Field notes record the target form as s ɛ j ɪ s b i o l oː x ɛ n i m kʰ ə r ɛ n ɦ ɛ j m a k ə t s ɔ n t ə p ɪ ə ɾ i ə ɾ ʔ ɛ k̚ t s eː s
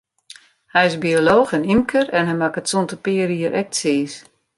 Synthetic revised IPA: h ɛ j ɪ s b i o l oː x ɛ n i m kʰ ə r ɛ n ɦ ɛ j m a k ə t s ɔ n t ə p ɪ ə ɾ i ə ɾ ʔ ɛ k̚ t s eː s